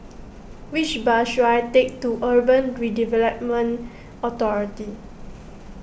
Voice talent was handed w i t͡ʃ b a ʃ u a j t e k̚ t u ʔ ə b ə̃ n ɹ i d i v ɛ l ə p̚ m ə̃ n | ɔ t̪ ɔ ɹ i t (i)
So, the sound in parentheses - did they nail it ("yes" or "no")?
yes